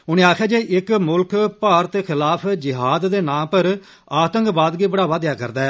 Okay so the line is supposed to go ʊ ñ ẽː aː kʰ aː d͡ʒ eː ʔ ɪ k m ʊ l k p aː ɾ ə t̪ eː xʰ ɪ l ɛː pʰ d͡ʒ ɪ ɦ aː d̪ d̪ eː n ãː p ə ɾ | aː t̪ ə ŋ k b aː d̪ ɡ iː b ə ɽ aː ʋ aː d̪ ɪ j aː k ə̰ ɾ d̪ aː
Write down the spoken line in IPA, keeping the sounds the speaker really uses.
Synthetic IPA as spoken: ʊ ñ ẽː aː kʰ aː d͡ʒ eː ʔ ɪ k m ʊ l k p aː ɾ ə t̪ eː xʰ ɪ l aː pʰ d͡ʒ ɪ ɦ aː d̪ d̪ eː n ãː p ə ɾ | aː t̪ ə ŋ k b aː d̪ ɡ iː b ə ɽ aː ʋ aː d̪ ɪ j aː k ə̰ ɾ d̪ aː